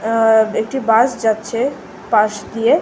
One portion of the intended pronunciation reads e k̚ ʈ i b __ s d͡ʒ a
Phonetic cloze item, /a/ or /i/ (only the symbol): a